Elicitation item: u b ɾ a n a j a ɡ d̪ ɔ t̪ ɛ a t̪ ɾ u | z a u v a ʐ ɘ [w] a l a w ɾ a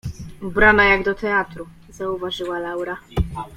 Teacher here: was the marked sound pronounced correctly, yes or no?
yes